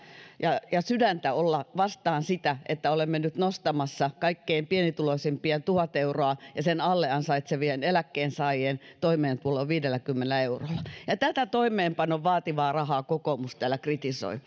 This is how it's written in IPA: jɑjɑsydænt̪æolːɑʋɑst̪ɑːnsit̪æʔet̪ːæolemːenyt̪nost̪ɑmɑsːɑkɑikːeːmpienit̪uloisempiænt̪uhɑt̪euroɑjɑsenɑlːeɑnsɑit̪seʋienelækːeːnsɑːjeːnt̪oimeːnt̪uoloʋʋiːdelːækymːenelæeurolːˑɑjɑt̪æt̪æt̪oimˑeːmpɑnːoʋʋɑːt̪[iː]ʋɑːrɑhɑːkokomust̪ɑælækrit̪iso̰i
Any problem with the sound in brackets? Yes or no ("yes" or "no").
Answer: yes